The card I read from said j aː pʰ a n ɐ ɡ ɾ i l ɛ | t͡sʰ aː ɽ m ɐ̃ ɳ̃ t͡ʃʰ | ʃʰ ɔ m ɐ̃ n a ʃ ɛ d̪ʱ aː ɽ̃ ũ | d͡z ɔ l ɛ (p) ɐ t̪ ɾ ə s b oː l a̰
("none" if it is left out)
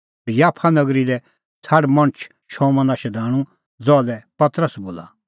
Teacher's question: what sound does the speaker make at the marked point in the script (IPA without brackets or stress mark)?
p